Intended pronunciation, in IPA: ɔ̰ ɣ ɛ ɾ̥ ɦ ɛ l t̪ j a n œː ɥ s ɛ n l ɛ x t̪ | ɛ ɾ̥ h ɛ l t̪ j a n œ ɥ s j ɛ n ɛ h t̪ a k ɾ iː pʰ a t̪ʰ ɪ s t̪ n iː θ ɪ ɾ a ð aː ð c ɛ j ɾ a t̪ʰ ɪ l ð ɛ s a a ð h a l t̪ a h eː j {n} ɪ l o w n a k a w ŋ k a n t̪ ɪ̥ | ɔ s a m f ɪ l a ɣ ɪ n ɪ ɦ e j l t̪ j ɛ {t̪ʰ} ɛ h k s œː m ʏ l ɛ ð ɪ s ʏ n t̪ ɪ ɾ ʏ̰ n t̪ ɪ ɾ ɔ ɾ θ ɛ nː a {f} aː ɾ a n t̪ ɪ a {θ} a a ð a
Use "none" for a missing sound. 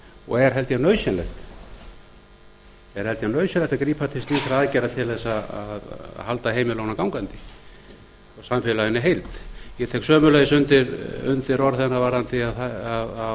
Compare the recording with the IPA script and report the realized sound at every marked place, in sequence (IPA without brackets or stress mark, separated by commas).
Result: m, t̪ʰ, v, ð